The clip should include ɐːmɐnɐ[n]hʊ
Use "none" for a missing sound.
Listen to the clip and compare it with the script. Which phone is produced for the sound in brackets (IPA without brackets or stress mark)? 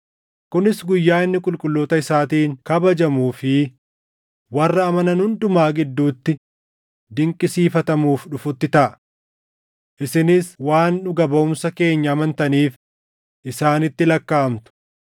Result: n